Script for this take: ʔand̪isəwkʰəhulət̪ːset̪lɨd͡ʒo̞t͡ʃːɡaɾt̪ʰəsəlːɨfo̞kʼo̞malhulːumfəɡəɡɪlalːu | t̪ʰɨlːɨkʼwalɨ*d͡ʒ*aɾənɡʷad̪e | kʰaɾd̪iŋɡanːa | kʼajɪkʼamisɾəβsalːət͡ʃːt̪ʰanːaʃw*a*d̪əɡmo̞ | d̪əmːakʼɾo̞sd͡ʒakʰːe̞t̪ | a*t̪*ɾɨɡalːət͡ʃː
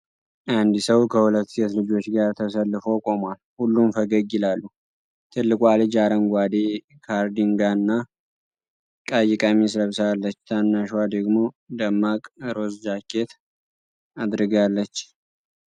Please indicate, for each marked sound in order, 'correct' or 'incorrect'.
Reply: correct, correct, incorrect

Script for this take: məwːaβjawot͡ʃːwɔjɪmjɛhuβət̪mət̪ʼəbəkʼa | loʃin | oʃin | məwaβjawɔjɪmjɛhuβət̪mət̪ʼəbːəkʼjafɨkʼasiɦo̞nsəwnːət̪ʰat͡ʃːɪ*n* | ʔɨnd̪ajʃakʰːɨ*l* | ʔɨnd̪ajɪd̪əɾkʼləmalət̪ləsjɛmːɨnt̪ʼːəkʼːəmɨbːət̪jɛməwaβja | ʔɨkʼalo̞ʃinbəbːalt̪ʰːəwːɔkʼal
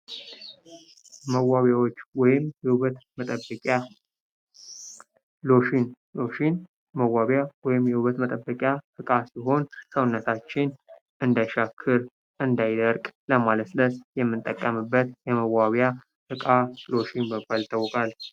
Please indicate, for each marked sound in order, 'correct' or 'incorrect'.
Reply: correct, incorrect

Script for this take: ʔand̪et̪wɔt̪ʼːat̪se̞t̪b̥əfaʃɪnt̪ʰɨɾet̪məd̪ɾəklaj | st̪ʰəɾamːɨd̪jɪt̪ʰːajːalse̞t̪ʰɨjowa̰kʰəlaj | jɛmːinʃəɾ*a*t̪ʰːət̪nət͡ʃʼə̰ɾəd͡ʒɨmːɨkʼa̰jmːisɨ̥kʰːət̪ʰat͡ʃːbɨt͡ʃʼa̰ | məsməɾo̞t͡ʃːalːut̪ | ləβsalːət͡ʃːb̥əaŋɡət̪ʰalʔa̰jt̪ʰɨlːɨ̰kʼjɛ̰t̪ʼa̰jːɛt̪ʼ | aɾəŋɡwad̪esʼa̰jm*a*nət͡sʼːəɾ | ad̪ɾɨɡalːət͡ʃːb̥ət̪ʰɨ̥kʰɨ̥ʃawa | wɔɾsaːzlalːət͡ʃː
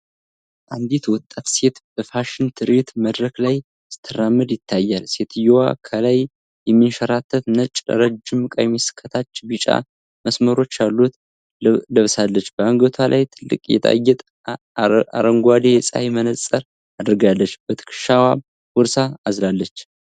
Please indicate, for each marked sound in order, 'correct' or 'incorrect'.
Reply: correct, incorrect

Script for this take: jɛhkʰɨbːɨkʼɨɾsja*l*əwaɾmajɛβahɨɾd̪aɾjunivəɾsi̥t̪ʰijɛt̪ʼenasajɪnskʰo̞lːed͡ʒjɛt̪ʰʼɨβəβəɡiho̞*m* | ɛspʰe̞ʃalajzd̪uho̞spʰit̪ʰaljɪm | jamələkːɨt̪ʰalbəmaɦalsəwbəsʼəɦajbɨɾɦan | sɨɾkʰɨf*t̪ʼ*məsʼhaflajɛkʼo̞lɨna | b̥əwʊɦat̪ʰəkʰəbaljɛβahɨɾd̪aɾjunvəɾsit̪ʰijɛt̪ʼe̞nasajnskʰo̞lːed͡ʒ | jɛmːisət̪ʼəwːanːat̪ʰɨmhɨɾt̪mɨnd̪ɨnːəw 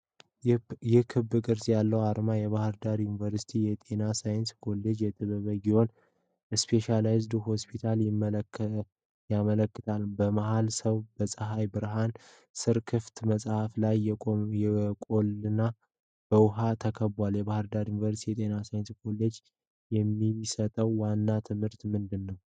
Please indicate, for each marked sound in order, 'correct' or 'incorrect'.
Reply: incorrect, incorrect, incorrect

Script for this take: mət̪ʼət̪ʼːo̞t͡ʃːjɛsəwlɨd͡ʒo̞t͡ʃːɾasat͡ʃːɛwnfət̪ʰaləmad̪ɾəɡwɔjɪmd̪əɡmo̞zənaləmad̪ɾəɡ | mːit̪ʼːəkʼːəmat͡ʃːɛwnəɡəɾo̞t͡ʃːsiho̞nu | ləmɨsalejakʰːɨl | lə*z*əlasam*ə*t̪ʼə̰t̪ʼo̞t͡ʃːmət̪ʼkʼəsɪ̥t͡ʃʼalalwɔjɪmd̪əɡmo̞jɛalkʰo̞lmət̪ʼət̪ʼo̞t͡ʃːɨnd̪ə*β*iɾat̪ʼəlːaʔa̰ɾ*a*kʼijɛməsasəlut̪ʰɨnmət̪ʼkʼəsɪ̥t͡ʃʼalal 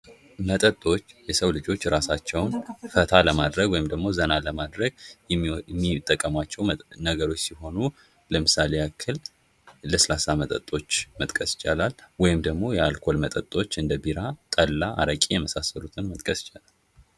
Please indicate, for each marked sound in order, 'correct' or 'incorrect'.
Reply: incorrect, correct, incorrect, incorrect

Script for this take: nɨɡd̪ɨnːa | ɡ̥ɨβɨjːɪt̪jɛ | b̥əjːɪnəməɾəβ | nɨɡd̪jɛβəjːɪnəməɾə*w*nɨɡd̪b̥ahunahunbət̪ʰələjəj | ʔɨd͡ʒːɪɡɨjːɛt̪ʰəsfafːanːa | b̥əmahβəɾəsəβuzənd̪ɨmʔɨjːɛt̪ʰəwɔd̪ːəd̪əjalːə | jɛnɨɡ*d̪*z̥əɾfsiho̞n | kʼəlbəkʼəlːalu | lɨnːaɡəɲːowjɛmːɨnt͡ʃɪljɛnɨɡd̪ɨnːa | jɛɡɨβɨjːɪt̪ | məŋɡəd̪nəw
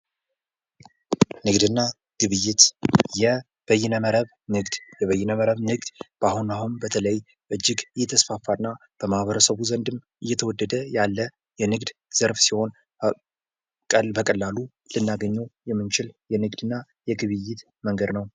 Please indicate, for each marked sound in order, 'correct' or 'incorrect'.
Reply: incorrect, correct

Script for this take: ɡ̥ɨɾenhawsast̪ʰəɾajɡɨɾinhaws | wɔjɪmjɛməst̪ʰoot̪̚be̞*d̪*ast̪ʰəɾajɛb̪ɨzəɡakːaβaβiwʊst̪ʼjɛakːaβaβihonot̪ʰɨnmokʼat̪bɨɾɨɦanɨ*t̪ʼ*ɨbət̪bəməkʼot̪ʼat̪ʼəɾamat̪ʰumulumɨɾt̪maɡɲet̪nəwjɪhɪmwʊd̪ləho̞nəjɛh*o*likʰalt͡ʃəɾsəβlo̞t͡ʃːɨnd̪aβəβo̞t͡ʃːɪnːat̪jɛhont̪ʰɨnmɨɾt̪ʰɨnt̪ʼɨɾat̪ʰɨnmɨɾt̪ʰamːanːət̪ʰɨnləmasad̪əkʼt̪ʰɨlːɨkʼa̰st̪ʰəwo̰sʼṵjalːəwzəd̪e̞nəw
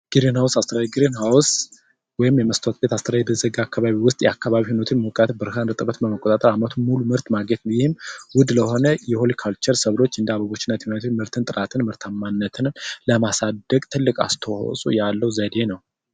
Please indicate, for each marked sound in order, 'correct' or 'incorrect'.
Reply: incorrect, correct, correct

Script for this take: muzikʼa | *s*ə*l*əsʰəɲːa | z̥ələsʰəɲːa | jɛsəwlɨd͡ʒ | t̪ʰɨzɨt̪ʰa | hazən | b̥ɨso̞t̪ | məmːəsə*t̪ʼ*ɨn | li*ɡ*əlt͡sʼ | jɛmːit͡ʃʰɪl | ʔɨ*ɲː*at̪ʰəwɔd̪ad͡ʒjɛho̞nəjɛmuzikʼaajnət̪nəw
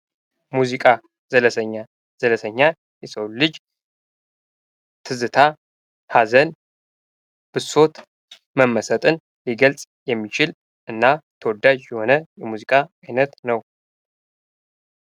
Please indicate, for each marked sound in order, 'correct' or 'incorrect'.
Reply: incorrect, correct, correct, correct, incorrect

